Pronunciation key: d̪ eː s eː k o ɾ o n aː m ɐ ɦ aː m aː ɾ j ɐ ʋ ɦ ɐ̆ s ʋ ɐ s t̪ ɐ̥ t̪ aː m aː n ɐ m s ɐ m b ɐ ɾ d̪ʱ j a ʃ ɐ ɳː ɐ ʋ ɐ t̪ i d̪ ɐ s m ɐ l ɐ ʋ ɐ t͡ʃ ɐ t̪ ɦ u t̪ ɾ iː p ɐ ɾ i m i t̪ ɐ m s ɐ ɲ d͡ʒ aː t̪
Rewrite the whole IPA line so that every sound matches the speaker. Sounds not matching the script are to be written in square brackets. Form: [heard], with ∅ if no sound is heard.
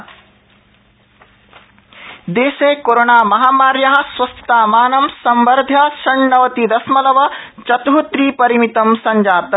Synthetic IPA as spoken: d̪ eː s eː k o ɾ o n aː m ɐ ɦ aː m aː ɾ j ɐ [∅] ɦ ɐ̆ s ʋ ɐ s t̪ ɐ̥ t̪ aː m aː n ɐ m s ɐ m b ɐ ɾ d̪ʱ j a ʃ ɐ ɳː ɐ ʋ ɐ t̪ i d̪ ɐ s m ɐ l ɐ ʋ ɐ t͡ʃ ɐ t̪ ɦ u t̪ ɾ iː p ɐ ɾ i m i t̪ ɐ m s ɐ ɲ d͡ʒ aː t̪